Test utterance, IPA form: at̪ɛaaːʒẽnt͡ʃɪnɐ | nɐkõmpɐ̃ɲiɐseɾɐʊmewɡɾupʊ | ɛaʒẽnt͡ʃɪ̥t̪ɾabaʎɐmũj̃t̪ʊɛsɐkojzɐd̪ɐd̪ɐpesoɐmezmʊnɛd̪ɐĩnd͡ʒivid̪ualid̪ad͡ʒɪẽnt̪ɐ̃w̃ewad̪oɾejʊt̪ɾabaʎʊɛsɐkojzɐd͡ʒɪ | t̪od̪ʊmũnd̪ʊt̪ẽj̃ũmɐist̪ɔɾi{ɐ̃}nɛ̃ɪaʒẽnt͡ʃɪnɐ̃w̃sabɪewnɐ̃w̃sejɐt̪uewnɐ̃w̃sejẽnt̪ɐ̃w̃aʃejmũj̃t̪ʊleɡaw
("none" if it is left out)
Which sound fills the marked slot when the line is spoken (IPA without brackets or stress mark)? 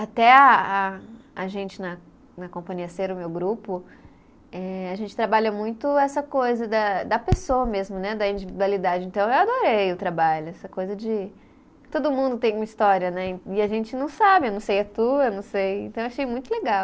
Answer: ɐ